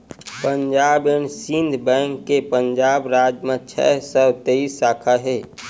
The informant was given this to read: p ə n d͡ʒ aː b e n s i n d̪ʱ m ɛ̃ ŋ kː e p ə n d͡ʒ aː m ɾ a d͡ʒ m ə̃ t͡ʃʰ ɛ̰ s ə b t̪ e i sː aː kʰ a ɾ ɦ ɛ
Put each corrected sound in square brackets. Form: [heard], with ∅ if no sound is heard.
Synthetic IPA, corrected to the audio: p ə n d͡ʒ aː b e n s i n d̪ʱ [b] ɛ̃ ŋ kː e p ə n d͡ʒ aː [b] ɾ a d͡ʒ m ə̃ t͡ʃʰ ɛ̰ s ə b t̪ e i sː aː kʰ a [∅] ɦ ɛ